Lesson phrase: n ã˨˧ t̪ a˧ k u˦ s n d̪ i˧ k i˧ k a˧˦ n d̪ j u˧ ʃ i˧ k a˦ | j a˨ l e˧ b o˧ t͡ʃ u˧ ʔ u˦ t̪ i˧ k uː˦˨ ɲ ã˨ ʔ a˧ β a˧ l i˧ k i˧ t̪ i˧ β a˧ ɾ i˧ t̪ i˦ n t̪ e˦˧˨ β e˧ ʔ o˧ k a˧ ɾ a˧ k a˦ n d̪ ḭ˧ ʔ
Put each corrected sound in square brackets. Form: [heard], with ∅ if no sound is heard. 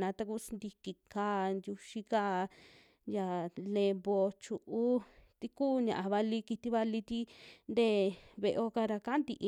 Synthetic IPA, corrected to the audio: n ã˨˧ t̪ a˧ k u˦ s n d̪ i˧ k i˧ k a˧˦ n d̪ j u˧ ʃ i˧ k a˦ | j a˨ l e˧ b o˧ t͡ʃ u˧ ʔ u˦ t̪ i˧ k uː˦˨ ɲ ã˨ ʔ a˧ β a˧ l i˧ k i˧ t̪ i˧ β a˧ [l] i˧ t̪ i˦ n [d̪] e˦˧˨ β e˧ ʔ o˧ k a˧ ɾ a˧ k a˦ n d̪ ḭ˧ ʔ